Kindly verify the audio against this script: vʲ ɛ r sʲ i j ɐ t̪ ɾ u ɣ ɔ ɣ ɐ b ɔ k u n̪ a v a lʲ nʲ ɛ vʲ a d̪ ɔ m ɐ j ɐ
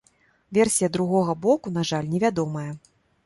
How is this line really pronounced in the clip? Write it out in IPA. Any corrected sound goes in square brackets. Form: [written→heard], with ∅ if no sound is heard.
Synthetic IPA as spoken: vʲ ɛ r sʲ i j ɐ [t̪→d̪] ɾ u ɣ ɔ ɣ ɐ b ɔ k u n̪ a [v→ʐ] a lʲ nʲ ɛ vʲ a d̪ ɔ m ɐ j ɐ